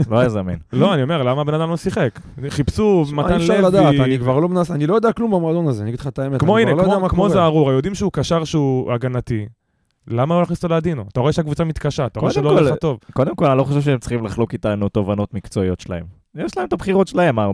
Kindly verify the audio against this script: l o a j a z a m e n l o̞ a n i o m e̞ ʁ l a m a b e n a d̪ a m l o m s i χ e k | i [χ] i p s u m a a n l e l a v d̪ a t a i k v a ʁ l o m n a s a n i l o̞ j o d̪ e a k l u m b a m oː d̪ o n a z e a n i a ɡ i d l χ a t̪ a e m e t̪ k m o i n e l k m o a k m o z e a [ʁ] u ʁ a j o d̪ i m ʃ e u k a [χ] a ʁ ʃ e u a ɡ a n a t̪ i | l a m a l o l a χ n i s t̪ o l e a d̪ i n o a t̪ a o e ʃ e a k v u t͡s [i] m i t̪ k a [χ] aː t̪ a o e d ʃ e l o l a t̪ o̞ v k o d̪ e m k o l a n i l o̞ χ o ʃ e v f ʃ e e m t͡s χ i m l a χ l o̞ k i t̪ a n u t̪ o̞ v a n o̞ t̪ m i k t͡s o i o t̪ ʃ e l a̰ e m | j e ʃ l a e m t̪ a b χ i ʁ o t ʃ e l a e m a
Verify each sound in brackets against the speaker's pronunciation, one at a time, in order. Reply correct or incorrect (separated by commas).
correct, correct, incorrect, incorrect, incorrect